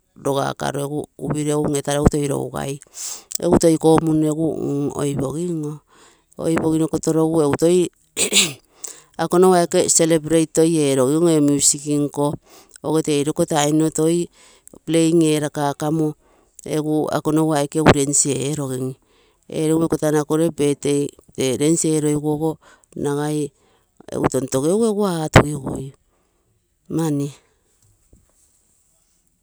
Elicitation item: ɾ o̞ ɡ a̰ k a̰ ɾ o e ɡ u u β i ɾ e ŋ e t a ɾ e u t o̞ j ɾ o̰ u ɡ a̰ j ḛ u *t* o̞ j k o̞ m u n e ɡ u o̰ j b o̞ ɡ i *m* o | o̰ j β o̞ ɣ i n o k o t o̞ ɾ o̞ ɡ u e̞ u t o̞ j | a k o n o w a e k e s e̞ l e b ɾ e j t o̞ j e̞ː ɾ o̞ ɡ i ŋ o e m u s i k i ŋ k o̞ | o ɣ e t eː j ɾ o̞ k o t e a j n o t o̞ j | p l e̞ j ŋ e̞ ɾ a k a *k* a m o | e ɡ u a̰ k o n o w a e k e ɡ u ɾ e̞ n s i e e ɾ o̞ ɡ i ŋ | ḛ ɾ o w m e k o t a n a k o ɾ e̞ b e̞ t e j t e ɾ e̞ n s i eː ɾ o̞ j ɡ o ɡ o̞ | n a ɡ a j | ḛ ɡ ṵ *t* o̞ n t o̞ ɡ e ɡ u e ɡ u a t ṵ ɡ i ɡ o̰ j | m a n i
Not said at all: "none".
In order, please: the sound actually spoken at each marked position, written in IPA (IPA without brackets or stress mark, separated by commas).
t, ŋ, k, t